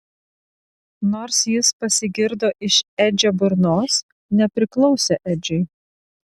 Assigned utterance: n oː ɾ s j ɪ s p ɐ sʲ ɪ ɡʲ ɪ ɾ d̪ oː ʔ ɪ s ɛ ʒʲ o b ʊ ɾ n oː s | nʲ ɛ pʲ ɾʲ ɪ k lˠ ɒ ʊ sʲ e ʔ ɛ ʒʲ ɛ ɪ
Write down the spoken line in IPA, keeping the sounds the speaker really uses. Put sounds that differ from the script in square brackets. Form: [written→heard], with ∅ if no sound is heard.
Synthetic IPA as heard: n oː ɾ s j ɪ s p ɐ sʲ ɪ ɡʲ ɪ ɾ d̪ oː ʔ ɪ [s→ʃ] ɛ [ʒʲ→d͡ʒʲ] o b ʊ ɾ n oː s | nʲ ɛ pʲ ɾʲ ɪ k lˠ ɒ ʊ sʲ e ʔ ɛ [ʒʲ→d͡ʒʲ] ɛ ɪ